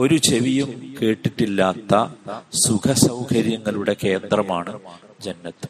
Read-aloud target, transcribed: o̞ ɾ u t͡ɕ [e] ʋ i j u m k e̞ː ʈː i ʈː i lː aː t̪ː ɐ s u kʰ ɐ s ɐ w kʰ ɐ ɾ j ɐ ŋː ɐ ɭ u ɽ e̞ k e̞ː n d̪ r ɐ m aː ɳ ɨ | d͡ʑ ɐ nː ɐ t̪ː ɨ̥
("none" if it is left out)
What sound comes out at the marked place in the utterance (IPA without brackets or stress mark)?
e